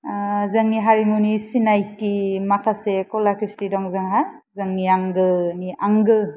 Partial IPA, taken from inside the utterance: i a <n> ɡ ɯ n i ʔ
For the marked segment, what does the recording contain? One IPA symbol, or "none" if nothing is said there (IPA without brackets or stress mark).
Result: ŋ